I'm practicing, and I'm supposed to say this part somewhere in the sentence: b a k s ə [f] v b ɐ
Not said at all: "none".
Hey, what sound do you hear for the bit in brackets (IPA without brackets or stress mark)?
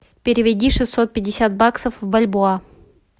f